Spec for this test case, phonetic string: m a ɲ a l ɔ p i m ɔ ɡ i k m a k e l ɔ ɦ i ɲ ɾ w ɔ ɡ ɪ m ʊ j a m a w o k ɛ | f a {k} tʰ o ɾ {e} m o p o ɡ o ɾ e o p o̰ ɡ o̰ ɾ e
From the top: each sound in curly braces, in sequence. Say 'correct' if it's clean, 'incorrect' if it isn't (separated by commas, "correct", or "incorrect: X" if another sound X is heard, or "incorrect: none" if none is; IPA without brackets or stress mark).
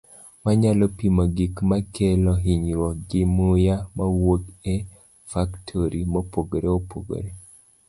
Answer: correct, incorrect: i